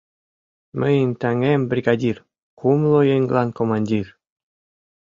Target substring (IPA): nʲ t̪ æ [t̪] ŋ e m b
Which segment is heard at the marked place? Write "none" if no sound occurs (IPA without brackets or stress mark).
none